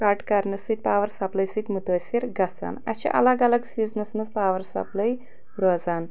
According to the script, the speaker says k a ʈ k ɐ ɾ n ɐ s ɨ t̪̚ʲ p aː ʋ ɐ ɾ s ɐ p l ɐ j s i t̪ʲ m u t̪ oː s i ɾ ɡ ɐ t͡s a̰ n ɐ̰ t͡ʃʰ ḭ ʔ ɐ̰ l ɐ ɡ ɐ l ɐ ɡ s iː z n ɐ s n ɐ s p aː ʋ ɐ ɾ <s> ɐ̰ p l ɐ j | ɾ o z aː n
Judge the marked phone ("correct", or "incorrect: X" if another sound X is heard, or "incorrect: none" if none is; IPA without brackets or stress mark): correct